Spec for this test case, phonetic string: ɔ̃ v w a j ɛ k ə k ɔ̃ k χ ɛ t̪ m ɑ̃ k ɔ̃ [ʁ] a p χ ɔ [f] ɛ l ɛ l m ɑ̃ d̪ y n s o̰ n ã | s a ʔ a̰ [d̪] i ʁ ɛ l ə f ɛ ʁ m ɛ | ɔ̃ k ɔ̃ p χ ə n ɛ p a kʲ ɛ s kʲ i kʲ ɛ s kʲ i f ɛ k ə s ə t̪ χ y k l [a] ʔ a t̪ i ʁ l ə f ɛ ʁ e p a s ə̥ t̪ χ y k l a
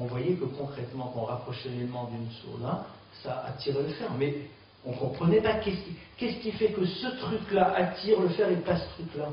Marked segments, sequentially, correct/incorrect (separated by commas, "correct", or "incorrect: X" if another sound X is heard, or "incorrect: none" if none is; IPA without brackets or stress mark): correct, incorrect: ʃ, incorrect: t̪, correct